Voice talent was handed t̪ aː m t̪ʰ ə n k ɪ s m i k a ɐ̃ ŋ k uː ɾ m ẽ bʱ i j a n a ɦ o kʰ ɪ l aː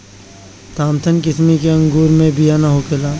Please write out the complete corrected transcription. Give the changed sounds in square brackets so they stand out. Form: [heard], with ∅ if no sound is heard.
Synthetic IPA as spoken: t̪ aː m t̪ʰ ə n k ɪ s m i k [e] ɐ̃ ŋ [ɡ] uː ɾ m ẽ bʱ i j a n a ɦ o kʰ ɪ l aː